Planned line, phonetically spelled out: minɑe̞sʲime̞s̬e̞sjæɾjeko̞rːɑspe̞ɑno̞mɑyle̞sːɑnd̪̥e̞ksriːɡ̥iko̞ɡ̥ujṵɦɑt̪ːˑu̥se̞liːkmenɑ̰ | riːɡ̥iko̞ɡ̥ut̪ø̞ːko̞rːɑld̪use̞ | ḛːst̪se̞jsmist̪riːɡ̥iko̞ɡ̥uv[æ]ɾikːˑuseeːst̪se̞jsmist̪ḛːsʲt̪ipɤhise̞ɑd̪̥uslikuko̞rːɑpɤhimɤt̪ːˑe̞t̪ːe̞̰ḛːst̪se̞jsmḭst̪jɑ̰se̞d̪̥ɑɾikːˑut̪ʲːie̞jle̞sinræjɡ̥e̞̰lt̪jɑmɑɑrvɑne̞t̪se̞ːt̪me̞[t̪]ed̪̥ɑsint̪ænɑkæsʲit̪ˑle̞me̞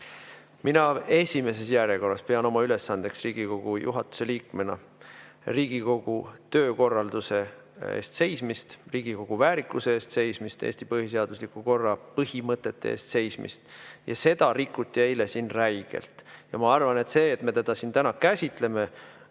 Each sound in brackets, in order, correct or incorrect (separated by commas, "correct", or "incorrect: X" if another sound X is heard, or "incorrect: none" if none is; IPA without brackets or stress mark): incorrect: æː, correct